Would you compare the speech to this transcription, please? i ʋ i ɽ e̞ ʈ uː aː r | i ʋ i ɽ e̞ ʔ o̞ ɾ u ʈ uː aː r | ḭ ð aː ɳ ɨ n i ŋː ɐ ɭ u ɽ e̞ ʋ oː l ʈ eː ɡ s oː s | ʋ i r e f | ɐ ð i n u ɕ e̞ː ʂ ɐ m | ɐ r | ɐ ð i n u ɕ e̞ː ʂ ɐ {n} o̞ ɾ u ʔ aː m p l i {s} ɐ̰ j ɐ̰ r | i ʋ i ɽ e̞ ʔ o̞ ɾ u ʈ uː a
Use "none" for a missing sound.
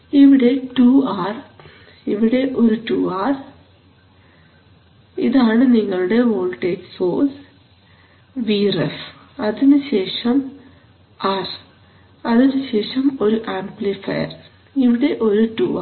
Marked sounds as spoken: m, f

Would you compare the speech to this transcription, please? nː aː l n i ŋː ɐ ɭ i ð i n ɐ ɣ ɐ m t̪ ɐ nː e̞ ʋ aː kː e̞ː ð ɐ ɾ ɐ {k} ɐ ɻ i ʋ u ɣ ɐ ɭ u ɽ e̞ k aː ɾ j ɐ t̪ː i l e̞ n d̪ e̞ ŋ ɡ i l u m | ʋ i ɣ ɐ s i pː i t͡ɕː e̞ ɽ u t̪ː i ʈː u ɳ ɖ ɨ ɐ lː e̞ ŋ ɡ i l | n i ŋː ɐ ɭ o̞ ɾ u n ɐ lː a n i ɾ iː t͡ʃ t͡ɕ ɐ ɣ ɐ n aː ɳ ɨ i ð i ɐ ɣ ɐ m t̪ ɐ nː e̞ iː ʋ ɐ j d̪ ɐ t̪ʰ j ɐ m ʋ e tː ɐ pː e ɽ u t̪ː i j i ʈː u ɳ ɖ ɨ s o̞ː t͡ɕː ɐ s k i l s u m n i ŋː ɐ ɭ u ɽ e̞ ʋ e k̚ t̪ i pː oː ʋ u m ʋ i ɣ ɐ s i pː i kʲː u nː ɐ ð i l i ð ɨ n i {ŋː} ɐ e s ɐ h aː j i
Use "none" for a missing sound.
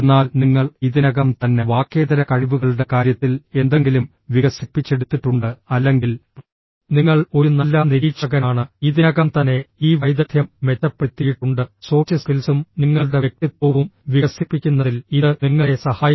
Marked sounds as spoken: k, ŋː

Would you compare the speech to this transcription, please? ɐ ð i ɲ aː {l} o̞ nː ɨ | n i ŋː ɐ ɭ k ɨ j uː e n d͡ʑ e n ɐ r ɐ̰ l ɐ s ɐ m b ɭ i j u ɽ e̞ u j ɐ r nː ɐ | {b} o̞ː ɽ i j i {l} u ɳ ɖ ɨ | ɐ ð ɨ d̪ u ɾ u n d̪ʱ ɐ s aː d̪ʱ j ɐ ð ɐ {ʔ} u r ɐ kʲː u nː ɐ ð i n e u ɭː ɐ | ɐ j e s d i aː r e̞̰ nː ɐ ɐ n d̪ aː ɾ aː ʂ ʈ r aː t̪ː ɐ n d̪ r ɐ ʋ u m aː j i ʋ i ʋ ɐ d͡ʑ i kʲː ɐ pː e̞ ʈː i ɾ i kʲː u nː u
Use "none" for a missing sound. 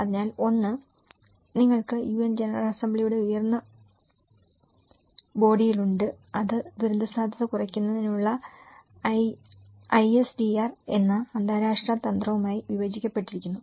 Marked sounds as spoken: l, b, l, k

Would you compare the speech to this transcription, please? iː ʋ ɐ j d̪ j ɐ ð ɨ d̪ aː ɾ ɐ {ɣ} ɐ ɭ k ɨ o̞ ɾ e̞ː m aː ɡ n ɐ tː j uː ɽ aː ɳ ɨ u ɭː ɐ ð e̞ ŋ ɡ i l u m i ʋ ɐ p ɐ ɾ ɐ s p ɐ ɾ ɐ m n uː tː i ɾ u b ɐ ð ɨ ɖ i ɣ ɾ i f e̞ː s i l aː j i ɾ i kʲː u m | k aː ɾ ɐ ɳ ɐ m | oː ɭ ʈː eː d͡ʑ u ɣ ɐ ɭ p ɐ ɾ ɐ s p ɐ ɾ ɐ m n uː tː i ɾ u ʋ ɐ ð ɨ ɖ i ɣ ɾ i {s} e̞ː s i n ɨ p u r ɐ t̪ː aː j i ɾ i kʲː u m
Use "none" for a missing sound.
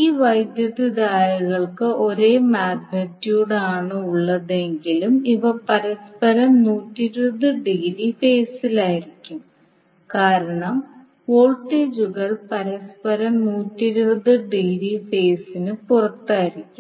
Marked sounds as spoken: ɣ, f

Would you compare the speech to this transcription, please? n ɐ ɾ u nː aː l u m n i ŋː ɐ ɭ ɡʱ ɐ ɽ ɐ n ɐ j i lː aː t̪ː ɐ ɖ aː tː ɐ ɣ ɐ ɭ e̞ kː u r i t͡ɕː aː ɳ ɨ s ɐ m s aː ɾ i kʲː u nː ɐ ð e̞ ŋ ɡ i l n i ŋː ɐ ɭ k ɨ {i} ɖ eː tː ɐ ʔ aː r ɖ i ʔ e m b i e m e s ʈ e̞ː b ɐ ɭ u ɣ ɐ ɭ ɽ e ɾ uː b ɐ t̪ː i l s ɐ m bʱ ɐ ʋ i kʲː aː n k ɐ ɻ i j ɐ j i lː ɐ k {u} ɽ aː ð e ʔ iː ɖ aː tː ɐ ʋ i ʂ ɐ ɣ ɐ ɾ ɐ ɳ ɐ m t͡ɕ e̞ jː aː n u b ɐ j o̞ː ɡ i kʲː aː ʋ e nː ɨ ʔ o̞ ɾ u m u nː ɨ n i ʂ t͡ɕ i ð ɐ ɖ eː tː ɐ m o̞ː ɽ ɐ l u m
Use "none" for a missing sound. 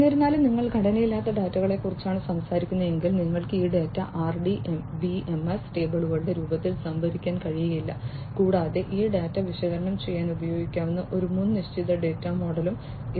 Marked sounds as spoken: iː, uː

